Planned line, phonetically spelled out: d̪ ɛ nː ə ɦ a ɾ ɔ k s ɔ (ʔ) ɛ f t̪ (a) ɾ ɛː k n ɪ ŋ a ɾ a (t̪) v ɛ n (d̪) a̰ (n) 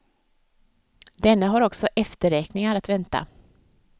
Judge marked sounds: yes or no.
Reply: yes, no, yes, no, no

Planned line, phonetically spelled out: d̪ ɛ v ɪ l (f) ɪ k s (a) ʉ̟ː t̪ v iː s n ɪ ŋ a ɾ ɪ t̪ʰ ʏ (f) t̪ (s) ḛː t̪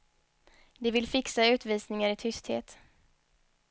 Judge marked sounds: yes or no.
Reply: yes, yes, no, no

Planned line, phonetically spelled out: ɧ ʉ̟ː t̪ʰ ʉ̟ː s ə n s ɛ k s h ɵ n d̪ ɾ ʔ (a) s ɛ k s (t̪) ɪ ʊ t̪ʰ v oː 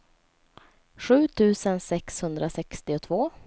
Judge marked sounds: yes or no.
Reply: yes, yes

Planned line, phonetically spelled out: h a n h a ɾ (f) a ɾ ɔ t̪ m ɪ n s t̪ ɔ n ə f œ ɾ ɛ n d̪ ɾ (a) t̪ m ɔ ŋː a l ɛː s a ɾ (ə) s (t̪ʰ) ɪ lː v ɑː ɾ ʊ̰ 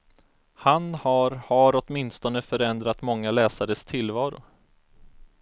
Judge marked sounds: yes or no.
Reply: no, yes, yes, yes

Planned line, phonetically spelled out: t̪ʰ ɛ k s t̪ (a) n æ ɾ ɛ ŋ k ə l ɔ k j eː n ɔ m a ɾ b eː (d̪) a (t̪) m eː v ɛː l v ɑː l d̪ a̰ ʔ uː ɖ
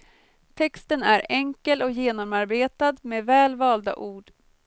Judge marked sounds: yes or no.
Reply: no, no, no

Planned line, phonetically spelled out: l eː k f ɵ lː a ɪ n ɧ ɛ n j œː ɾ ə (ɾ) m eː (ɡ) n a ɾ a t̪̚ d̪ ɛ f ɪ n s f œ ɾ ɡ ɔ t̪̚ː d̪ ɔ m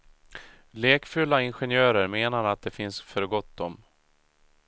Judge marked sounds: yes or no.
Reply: yes, no

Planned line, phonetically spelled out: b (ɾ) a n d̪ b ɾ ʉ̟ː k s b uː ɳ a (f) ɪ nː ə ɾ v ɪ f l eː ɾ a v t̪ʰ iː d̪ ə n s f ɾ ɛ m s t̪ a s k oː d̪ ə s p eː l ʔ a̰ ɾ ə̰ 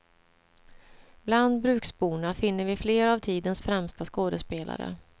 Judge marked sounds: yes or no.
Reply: no, yes

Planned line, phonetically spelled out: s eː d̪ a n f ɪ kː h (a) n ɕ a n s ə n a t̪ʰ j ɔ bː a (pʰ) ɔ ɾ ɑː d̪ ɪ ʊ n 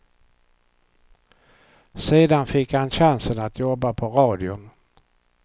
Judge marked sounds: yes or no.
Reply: yes, yes

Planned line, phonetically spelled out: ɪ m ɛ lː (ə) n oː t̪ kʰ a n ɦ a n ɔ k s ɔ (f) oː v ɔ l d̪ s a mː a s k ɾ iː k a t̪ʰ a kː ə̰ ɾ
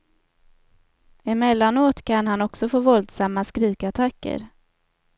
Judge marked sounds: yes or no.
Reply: no, yes

